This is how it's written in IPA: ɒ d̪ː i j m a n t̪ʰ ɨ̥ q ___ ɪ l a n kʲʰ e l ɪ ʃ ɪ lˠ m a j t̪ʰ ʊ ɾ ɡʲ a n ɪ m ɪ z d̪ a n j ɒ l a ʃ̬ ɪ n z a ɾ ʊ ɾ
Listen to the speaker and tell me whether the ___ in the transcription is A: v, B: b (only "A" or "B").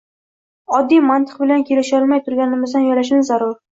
B